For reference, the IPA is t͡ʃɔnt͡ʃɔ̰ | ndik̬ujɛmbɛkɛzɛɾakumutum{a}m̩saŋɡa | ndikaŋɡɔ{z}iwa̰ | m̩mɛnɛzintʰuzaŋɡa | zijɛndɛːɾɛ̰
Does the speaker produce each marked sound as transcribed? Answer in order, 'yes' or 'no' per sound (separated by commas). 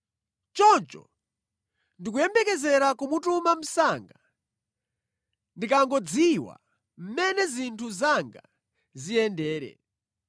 yes, no